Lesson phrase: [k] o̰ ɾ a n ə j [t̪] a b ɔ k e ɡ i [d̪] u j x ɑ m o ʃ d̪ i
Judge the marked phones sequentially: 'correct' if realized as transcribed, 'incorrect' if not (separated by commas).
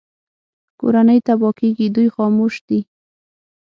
correct, correct, correct